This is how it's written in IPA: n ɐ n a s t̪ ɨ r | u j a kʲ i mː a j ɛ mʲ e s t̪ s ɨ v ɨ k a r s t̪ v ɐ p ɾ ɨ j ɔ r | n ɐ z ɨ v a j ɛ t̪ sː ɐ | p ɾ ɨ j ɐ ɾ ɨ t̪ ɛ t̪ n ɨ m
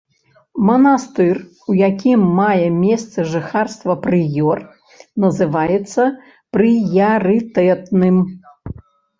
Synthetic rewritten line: m ɐ n a s t̪ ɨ r | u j a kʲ i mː a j ɛ mʲ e s t̪ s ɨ ʐ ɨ x a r s t̪ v ɐ p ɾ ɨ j ɔ r | n ɐ z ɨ v a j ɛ t̪ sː ɐ | p ɾ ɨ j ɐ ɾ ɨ t̪ ɛ t̪ n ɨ m